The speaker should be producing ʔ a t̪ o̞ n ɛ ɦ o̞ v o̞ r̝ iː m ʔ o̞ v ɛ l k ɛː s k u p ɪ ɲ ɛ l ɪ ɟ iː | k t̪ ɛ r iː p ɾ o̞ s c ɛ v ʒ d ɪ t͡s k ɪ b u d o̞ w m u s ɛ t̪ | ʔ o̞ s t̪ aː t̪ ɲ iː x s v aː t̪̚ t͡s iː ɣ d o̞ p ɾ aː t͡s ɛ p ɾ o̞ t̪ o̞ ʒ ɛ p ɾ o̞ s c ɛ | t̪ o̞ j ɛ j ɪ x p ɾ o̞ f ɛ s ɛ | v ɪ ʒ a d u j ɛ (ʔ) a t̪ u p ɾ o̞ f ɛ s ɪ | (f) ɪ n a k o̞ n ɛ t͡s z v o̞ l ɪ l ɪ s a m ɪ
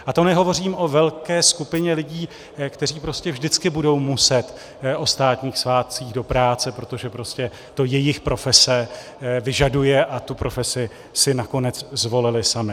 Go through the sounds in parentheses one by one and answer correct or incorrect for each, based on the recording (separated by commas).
correct, incorrect